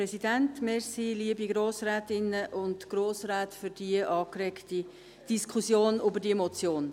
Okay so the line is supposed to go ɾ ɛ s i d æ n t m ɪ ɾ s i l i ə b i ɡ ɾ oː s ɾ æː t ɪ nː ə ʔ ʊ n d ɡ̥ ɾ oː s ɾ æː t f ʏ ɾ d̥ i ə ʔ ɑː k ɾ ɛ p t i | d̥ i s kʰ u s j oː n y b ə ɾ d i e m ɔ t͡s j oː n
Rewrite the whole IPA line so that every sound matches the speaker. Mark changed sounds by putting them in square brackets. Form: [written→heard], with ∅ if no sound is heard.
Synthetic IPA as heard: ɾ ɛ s i d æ n t m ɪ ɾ s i l i ə b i ɡ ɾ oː s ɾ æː t ɪ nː ə ʔ ʊ n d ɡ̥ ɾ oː s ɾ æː t f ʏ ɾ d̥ i ə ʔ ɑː k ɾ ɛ [p→k] t i | d̥ i s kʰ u s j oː n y b ə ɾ d i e m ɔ t͡s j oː n